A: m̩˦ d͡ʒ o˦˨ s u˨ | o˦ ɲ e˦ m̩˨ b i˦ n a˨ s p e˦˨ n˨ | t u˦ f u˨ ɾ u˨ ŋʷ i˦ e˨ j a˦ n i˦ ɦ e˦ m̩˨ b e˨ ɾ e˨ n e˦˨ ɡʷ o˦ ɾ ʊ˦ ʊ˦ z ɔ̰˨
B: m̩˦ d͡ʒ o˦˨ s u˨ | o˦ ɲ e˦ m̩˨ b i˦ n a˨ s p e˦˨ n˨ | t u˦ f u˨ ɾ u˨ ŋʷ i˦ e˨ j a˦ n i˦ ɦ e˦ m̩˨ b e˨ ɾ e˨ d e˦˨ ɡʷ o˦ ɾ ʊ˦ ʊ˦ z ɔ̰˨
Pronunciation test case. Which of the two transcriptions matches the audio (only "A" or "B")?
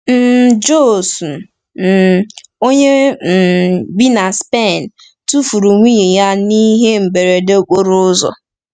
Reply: B